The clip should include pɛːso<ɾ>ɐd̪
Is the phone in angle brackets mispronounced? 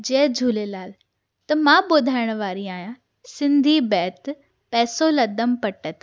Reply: yes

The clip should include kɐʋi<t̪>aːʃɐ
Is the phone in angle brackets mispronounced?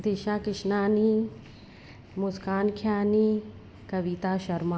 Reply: no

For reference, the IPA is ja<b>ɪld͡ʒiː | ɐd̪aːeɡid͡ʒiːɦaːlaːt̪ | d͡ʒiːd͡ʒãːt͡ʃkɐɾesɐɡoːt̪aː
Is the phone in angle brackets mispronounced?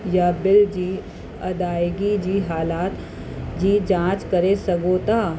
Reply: no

